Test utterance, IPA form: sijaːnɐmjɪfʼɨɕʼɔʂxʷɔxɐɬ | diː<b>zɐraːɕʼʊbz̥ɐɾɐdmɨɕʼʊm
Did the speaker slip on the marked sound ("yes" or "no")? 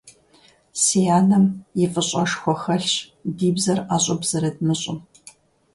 no